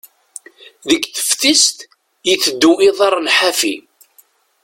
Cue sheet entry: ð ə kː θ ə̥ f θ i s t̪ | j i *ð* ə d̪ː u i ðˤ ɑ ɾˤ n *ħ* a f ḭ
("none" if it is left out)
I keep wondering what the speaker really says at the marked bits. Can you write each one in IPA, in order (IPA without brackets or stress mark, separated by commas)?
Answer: θ, ħ